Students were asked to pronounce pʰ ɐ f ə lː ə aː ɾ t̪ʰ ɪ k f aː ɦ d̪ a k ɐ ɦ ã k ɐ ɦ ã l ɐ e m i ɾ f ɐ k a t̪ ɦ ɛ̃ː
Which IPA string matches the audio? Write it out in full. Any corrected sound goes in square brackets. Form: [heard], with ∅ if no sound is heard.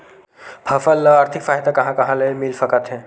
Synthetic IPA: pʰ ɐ f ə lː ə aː ɾ t̪ʰ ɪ k f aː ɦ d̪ a k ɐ ɦ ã k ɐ ɦ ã l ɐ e m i [l] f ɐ k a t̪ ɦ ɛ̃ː